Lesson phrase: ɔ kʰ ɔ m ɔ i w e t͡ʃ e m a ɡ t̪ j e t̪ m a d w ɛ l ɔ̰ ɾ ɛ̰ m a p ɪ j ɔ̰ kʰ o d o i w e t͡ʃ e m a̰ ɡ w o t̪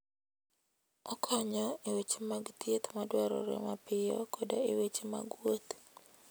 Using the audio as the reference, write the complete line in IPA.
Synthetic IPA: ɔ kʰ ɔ ɲ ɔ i w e t͡ʃ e m a ɡ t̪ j e t̪ m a d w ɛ ɾ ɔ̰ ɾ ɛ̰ m a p ɪ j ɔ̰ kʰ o d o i w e t͡ʃ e m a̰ ɡ w o t̪